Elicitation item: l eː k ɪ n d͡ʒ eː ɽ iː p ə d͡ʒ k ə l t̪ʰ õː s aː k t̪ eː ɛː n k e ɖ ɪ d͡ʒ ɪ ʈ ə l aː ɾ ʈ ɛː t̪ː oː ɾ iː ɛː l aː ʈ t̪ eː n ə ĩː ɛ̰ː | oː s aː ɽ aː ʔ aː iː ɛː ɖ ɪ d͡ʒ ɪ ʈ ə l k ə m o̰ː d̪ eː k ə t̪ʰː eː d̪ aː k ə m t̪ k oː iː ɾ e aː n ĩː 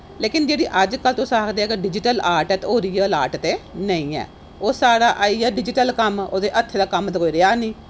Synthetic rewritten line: l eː k ɪ n d͡ʒ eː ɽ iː ʔ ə d͡ʒ k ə l t̪ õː s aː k d̪ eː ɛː k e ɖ ɪ d͡ʒ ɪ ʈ ə l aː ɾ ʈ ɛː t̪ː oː ɾ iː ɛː l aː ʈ t̪ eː n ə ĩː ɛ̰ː | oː s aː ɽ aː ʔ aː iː ɛː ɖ ɪ d͡ʒ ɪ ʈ ə l k ə m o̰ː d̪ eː ʔ ə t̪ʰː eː d̪ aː k ə m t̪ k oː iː ɾ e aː n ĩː